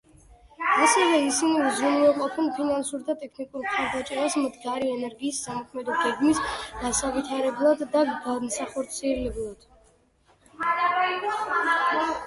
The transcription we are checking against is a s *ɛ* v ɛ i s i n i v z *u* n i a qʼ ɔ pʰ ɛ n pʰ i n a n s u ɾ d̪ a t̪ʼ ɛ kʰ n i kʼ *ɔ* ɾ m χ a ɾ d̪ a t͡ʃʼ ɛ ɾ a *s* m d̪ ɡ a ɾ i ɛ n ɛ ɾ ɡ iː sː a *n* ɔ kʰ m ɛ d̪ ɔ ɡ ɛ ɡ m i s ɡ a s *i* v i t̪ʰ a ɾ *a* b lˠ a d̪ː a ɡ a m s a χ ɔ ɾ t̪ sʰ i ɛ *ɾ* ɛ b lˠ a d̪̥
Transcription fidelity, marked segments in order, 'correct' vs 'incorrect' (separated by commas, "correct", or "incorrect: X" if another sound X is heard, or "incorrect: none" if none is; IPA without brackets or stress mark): correct, correct, incorrect: u, correct, incorrect: m, incorrect: a, incorrect: ɛ, incorrect: l